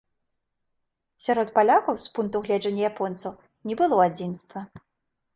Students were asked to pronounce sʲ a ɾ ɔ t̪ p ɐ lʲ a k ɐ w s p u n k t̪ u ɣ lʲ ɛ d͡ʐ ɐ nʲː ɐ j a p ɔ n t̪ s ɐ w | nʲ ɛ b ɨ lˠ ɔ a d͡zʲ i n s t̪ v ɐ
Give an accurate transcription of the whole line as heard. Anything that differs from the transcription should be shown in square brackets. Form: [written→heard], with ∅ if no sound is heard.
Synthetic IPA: sʲ a ɾ ɔ t̪ p [ɐ→a] lʲ a k ɐ w s p u n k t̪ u ɣ lʲ ɛ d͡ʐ ɐ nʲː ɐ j a p ɔ n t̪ s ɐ w | nʲ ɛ b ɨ lˠ ɔ a d͡zʲ i n s t̪ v ɐ